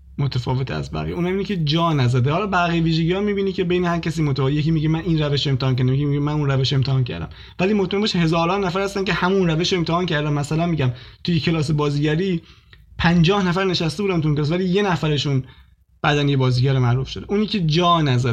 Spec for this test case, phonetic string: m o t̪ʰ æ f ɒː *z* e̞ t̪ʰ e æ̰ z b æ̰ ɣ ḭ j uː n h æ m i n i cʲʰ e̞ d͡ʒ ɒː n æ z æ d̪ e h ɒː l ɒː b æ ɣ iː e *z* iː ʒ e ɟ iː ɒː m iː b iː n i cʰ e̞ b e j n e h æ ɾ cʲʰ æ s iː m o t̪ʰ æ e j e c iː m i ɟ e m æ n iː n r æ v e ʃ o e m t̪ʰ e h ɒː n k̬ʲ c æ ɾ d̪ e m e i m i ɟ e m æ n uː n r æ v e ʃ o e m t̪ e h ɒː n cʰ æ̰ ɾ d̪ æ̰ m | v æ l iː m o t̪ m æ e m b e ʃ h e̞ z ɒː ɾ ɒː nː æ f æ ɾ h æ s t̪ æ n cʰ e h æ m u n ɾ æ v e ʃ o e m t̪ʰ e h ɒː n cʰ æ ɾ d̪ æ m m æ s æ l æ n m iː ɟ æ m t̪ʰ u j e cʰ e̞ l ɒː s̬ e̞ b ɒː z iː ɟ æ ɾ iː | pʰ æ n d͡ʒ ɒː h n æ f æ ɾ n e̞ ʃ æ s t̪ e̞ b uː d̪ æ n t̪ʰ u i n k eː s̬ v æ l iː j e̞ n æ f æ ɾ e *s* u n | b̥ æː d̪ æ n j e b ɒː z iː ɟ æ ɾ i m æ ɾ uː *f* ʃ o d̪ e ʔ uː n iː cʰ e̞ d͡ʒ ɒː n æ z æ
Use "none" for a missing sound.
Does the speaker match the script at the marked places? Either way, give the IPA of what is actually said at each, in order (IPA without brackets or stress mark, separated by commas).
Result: v, v, ʃ, f